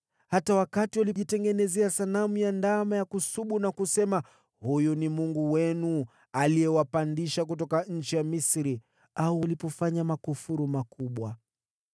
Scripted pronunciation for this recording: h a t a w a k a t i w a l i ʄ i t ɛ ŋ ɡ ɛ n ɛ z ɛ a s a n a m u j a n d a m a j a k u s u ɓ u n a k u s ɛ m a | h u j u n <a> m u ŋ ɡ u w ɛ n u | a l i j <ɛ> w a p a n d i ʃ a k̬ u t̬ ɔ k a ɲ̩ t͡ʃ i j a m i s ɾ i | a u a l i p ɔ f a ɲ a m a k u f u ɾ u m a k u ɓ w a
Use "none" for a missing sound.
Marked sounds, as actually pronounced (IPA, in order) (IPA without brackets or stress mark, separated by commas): i, ɛ